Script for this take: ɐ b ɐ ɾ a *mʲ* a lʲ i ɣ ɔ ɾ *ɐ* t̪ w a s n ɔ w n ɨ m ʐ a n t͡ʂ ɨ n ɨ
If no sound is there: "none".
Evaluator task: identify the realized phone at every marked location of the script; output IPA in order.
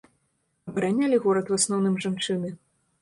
nʲ, ɐ

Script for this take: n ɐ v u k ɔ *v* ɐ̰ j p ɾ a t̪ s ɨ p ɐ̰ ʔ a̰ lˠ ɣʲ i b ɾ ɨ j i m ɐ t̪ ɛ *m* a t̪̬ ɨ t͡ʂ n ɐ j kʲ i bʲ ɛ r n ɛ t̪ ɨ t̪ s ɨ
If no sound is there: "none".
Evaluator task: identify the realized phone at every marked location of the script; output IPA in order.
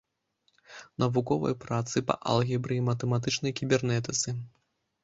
v, m

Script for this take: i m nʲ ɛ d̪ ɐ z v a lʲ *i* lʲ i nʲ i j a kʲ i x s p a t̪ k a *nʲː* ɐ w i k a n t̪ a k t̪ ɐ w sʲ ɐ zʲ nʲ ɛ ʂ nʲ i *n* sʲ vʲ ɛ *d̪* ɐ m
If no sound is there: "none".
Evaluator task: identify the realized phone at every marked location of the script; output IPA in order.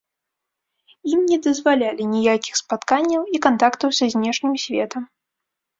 a, nʲː, m, t̪

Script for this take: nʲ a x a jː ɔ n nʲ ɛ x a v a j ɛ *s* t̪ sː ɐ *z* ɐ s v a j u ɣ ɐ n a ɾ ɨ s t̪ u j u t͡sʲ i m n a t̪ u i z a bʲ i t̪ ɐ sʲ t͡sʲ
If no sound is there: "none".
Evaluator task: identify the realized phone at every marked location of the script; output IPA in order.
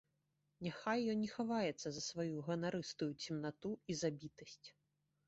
none, z

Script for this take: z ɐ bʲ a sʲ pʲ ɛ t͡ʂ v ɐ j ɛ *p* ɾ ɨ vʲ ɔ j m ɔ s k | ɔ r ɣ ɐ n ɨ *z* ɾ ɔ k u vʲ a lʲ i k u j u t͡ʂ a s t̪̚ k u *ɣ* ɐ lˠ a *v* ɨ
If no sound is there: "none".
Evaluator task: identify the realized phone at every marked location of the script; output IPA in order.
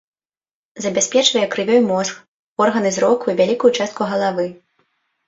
k, z, ɣ, v

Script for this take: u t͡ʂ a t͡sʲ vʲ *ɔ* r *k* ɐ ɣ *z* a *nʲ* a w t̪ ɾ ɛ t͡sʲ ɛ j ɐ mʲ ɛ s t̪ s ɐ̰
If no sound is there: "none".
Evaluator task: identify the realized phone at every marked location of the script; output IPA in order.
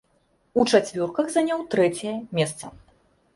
ɔ, k, z, nʲ

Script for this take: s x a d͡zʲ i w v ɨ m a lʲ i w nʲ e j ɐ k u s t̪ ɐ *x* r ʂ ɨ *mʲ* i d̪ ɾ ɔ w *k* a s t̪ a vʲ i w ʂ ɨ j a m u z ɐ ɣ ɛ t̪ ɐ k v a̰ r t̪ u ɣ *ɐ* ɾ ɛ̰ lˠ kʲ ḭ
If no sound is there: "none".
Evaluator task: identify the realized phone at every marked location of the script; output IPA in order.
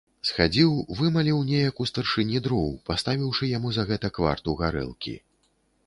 none, nʲ, p, a

